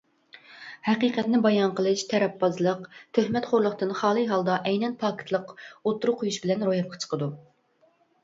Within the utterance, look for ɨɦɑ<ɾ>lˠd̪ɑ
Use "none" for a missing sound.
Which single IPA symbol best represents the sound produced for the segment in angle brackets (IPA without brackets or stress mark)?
none